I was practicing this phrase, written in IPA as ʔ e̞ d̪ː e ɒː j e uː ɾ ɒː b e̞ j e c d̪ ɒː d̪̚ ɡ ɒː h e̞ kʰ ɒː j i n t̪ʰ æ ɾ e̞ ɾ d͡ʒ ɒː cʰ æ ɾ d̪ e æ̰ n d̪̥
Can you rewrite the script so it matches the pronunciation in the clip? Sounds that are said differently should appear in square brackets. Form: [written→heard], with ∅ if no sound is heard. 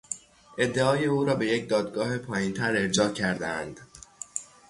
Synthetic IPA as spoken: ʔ e̞ d̪ː e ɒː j e uː ɾ ɒː b e̞ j e c d̪ ɒː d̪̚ ɡ ɒː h e̞ [kʰ→pʰ] ɒː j i n t̪ʰ æ ɾ e̞ ɾ d͡ʒ ɒː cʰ æ ɾ d̪ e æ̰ n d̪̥